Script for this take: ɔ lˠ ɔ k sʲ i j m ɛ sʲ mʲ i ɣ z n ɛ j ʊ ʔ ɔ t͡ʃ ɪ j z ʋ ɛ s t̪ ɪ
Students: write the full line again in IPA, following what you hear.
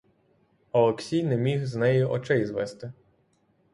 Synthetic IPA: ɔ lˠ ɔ k sʲ i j n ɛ mʲ i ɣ z n ɛ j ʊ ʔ ɔ t͡ʃ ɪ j z ʋ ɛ s t̪ ɪ